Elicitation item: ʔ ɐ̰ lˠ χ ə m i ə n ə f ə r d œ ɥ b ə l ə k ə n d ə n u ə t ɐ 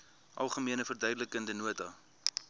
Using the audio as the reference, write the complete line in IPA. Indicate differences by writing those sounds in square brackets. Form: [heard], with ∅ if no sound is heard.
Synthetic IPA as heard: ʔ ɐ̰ lˠ χ ə m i ə n ə f ə r d œ ɥ [d] ə l ə k ə n d ə n u ə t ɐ